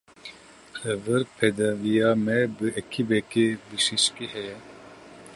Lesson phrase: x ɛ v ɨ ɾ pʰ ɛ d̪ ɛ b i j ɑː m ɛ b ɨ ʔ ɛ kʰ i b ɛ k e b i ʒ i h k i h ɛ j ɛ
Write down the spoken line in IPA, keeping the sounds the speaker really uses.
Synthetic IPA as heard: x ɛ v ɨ ɾ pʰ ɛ d̪ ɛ v i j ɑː m ɛ b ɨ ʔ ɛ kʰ i b ɛ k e b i ʃ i ʃ k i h ɛ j ɛ